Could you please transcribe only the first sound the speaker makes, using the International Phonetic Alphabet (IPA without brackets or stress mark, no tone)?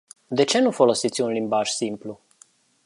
d̪